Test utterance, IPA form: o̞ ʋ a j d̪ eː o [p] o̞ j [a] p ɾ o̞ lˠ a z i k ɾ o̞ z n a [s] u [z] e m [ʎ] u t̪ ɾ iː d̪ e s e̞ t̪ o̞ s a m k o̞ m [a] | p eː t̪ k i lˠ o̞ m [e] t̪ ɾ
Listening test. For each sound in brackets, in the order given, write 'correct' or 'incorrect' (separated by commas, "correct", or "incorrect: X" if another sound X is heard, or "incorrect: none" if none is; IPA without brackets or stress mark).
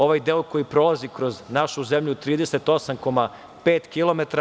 incorrect: k, incorrect: i, incorrect: ʃ, correct, correct, correct, correct